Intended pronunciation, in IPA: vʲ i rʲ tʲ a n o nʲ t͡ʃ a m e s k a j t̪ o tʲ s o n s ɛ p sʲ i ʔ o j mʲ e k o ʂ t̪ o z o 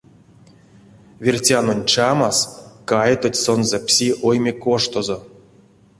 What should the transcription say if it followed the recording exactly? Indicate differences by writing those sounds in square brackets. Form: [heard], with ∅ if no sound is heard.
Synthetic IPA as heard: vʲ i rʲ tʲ a n o nʲ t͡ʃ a m [a] s k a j t̪ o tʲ s o n [z] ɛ p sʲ i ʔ o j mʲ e k o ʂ t̪ o z o